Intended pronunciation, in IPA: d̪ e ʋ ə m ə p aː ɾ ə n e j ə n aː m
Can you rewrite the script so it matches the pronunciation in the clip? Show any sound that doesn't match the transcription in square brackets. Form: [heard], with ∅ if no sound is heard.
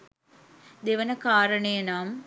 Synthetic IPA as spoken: d̪ e ʋ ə [n] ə [k] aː ɾ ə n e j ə n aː m

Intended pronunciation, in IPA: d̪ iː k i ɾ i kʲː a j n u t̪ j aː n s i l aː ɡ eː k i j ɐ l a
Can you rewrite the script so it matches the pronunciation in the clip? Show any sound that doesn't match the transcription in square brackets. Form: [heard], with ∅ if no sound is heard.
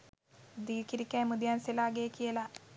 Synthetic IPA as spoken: d̪ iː k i ɾ i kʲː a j [m] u [d̪] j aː n s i l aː ɡ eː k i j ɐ l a

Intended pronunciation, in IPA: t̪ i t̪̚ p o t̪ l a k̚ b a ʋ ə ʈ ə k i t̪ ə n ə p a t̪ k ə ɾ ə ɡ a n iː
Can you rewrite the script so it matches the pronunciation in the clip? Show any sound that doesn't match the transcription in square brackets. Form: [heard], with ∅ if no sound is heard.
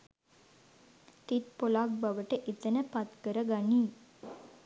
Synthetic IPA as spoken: t̪ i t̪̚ p o [∅] l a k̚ b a ʋ ə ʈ ə [ʔ] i t̪ ə n ə p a t̪ k ə ɾ ə ɡ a n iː

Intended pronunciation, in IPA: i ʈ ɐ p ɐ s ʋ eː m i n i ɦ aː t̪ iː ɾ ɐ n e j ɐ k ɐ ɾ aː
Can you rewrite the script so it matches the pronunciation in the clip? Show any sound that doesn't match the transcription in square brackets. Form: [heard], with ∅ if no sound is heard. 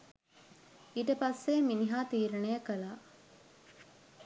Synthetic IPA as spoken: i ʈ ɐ p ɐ s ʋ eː m i n i ɦ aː t̪ iː ɾ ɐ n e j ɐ k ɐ [l] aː

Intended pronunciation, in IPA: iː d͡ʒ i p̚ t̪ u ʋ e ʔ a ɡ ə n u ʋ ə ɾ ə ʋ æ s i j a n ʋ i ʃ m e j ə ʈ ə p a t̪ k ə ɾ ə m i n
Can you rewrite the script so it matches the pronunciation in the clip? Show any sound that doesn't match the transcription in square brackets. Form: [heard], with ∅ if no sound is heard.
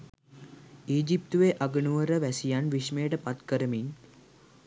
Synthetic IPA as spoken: iː d͡ʒ i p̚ t̪ u ʋ e ʔ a ɡ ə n u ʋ ə ɾ ə ʋ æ s i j a n ʋ i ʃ m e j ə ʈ ə p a t̪ k ə ɾ ə m i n

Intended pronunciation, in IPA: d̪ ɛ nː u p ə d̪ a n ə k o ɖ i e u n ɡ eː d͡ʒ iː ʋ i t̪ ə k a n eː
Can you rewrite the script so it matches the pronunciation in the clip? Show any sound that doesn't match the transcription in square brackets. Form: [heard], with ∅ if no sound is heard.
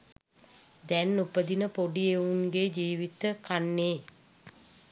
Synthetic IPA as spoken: d̪ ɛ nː u p ə d̪ [i] n ə [p] o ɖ i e u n ɡ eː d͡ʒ iː ʋ i t̪ ə k a [nː] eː

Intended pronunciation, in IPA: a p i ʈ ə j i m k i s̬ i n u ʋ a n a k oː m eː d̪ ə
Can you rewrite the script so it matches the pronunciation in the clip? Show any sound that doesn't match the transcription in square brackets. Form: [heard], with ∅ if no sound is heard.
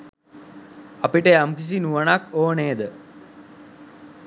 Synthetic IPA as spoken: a p i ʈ ə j [a] m k i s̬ i n u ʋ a n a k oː [n] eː d̪ ə

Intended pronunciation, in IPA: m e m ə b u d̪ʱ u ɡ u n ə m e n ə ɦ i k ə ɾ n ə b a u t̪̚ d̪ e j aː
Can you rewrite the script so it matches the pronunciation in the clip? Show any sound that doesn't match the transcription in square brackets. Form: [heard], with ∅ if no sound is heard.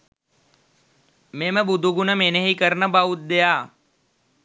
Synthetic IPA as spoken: m e m ə b u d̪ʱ u ɡ u n ə m e n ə ɦ i k ə ɾ n ə b a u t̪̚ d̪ e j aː

